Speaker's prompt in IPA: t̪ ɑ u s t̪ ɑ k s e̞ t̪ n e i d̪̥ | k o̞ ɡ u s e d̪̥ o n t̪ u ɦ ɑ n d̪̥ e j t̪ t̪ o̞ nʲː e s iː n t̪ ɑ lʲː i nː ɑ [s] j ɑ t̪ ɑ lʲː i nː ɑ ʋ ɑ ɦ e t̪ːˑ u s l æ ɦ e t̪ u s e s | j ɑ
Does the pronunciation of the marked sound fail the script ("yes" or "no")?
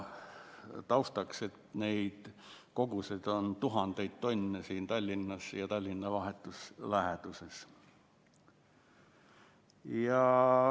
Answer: no